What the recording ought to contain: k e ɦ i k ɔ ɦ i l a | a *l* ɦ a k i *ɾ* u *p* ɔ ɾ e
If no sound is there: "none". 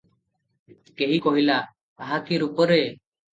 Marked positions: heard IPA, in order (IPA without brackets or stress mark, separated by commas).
none, ɾ, p